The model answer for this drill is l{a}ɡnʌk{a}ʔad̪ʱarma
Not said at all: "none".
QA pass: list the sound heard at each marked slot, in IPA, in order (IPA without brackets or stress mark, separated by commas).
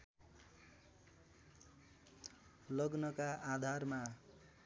ʌ, a